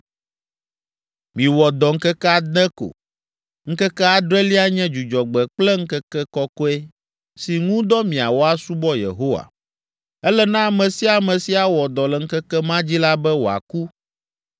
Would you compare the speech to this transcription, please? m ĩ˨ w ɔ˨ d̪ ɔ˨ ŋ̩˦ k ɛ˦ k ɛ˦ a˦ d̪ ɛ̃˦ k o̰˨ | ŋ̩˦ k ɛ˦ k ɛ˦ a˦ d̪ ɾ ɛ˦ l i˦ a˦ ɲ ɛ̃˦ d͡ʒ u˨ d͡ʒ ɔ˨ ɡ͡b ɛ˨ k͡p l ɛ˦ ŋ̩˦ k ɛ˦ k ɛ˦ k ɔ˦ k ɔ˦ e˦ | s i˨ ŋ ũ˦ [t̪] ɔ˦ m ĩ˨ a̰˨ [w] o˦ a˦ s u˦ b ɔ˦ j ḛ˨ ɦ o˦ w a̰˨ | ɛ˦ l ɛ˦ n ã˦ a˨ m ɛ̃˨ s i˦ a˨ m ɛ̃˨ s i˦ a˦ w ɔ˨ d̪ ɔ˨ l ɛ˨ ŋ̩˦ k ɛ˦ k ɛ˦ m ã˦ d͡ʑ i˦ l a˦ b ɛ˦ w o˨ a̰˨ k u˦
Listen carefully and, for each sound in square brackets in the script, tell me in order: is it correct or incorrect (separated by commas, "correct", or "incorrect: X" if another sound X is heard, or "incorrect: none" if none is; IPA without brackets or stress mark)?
incorrect: d̪, correct